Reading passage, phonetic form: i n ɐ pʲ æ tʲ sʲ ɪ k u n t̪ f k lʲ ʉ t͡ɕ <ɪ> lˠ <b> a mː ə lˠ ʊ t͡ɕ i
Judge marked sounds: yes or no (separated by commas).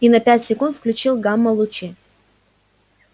no, no